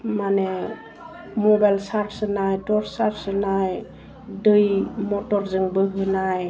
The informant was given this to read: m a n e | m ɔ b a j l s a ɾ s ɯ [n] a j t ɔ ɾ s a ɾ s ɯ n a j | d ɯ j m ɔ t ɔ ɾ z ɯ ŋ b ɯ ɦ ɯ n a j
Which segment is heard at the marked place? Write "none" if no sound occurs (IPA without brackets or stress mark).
n